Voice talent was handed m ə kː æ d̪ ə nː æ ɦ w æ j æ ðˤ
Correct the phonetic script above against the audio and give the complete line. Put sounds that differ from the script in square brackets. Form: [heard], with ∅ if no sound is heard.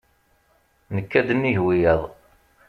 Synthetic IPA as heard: [n] ə kː æ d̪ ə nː [i] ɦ w [i] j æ ðˤ